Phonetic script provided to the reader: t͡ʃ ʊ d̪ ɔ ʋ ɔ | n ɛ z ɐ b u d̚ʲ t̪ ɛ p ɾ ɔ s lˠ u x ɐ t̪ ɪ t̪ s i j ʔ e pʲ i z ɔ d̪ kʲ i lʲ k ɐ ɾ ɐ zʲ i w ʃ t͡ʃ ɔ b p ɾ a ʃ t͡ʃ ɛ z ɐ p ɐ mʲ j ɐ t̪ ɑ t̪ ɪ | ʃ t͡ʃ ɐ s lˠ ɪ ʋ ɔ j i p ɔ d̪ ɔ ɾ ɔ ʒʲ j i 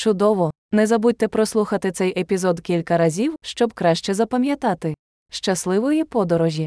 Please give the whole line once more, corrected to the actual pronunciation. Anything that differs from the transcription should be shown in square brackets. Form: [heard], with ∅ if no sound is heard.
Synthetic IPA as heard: t͡ʃ ʊ d̪ ɔ ʋ ɔ | n ɛ z ɐ b u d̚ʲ t̪ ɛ p ɾ ɔ s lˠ u x ɐ t̪ ɪ t̪ s [ɛ] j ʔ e pʲ i z ɔ d̪ kʲ i lʲ k ɐ ɾ ɐ zʲ i w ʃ t͡ʃ ɔ b [k] ɾ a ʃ t͡ʃ ɛ z ɐ p ɐ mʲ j ɐ t̪ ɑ t̪ ɪ | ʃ t͡ʃ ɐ s lˠ ɪ ʋ ɔ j i p ɔ d̪ ɔ ɾ ɔ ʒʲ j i